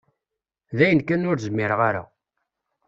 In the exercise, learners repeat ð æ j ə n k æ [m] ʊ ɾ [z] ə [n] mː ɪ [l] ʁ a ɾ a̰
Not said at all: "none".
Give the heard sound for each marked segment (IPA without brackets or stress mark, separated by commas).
n, z, none, ɾ